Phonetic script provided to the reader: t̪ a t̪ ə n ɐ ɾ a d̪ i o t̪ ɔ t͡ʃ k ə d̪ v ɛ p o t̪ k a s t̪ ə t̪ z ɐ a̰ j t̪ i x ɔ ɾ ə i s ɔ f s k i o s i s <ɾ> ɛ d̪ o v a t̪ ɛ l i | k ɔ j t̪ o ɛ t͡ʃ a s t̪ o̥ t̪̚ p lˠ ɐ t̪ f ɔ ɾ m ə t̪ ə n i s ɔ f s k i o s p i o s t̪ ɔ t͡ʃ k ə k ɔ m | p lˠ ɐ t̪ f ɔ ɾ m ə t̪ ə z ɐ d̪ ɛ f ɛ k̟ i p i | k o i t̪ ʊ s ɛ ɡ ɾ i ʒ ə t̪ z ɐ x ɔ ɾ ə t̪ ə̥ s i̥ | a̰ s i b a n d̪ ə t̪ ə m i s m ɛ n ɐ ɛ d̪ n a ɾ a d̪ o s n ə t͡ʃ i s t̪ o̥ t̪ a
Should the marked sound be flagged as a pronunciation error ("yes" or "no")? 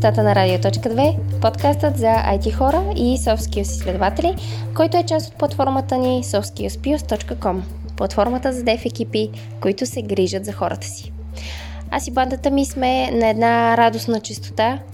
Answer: yes